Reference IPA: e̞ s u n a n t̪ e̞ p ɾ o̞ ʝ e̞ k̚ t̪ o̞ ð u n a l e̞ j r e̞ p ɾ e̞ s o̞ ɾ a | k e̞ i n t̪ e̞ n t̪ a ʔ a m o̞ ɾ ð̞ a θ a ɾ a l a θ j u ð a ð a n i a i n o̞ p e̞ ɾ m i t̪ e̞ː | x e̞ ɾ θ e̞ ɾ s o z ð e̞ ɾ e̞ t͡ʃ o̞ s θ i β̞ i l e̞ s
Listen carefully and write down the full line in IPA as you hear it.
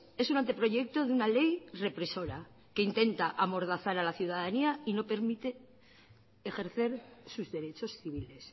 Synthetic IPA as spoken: e̞ s u n a n t̪ e̞ p ɾ o̞ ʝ e̞ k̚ t̪ o̞ ð u n a l e̞ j r e̞ p ɾ e̞ s o̞ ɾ a | k e̞ i n t̪ e̞ n t̪ a ʔ a m o̞ ɾ ð̞ a θ a ɾ a l a θ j u ð a ð a n i a i n o̞ p e̞ ɾ m i t̪ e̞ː | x e̞ ɾ θ e̞ ɾ s u z ð e̞ ɾ e̞ t͡ʃ o̞ s θ i β̞ i l e̞ s